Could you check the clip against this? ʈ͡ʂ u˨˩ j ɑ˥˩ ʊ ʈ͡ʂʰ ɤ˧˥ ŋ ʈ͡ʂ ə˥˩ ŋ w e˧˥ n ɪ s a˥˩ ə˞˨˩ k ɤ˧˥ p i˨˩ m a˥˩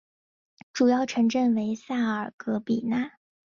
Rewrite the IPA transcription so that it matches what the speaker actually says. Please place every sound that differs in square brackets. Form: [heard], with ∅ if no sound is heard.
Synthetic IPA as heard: ʈ͡ʂ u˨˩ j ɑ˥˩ ʊ ʈ͡ʂʰ ɤ˧˥ ŋ ʈ͡ʂ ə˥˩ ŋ w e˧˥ [∅] ɪ s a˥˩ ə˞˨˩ k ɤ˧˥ p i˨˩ [n] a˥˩